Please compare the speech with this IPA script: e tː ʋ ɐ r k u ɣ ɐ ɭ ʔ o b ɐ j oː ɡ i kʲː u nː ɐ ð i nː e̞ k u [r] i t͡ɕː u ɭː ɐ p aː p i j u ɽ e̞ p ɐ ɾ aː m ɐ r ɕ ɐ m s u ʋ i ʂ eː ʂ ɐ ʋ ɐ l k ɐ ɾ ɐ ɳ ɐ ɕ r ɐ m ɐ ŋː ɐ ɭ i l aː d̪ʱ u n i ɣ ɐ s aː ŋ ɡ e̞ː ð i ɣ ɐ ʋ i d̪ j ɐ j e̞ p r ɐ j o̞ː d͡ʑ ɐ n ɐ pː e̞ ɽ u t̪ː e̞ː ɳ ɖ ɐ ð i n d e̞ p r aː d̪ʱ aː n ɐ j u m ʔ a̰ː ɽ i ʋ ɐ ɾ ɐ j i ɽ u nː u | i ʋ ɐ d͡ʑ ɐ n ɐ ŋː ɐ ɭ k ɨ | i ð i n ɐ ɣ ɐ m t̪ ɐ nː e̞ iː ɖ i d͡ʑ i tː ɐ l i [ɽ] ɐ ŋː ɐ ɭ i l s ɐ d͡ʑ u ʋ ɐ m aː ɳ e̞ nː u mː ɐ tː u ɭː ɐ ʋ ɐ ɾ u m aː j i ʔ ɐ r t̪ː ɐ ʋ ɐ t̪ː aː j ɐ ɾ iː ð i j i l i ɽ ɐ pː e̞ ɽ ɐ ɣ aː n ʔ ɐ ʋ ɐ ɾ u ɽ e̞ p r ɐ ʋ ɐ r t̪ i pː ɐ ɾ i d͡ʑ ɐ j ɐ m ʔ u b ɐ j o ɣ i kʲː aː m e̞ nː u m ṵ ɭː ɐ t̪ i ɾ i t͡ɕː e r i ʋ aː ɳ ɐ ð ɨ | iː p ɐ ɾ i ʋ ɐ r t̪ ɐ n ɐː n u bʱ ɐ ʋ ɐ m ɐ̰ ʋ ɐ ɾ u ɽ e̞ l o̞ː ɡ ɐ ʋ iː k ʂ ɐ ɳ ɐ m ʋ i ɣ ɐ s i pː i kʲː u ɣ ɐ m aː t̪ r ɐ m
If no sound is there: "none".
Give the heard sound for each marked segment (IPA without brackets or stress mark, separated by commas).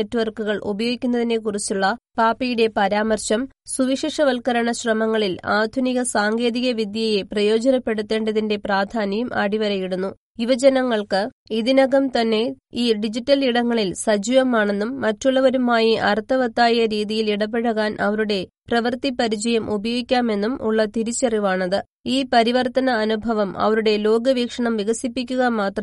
r, ɽ